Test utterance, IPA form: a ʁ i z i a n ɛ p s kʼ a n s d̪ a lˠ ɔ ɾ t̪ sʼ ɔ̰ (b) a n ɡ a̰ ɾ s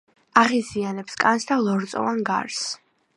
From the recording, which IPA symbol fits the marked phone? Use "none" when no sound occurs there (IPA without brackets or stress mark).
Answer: v